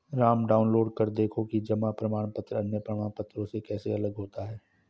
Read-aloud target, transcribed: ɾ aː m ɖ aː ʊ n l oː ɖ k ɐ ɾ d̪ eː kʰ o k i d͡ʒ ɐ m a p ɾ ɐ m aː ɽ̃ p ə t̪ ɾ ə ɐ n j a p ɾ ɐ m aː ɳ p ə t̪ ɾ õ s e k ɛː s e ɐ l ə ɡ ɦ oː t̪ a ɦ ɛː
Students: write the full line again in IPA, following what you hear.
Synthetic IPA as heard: ɾ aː m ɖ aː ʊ n l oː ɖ k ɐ ɾ d̪ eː kʰ o k i d͡ʒ ɐ m a p ɾ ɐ m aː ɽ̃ p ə t̪ ɾ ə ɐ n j ə p ɾ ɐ m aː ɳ p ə t̪ ɾ õ s e k ɛː s e ɐ l ə ɡ ɦ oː t̪ a ɦ ɛː